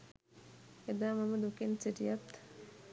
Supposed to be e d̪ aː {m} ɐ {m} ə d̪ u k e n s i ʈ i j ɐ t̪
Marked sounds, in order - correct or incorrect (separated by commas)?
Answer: correct, correct